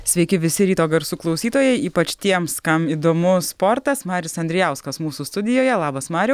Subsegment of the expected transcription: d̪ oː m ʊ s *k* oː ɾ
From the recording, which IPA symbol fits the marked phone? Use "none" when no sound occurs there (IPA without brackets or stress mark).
p